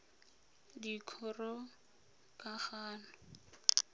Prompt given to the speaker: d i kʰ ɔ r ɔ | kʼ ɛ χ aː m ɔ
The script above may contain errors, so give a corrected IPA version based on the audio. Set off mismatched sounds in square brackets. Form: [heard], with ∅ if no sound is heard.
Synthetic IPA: d i kʰ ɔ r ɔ | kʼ [a] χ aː [n] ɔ

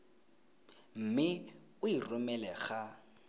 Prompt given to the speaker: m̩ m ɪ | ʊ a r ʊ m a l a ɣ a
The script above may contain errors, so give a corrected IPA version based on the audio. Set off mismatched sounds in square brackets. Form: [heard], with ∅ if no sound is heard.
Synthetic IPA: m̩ m ɪ | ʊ [i] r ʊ m [ɛ] l [ɛ] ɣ a

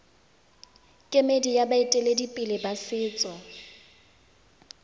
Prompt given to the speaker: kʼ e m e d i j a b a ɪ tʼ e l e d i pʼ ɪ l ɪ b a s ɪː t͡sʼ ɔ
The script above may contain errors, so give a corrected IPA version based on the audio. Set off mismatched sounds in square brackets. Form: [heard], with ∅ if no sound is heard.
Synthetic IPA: kʼ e m e d i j a b a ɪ tʼ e l e d i pʼ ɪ l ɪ b a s ɪː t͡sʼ ɔ

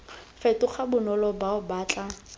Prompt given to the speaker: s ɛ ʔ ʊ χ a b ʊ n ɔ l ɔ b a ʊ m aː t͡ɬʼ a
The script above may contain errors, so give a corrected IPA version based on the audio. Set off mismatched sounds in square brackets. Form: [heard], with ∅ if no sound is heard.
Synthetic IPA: [f] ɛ [t] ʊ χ a b ʊ n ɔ l ɔ b a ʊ [b] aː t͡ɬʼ a

